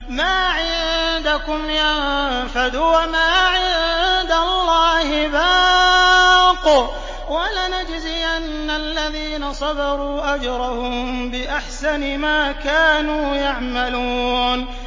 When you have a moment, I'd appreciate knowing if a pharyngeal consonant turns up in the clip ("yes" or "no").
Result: yes